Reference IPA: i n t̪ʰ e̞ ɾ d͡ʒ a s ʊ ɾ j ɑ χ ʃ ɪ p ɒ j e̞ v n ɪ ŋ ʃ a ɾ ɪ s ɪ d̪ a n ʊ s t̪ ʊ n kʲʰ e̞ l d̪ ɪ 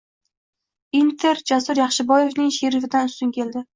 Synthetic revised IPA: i n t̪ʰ e̞ ɾ d͡ʒ a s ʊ ɾ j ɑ χ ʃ ɪ b ɒ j e̞ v n ɪ ŋ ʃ e ɾ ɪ f ɪ d̪ a n ʊ s t̪ ʊ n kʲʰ e̞ l d̪ ɪ